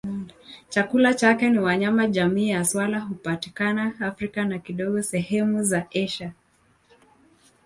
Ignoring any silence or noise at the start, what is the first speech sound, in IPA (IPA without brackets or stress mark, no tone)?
t͡ʃ